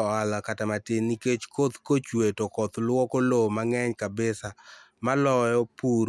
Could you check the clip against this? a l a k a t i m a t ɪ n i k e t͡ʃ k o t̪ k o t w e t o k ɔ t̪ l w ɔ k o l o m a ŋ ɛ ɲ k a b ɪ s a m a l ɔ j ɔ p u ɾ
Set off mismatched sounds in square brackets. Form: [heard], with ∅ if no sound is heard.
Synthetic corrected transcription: a l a k a t [a] m a t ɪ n i k e t͡ʃ k o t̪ k o [t͡ʃ] w e t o k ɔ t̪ l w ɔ k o l o m a ŋ ɛ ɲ k a b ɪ s a m a l ɔ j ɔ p u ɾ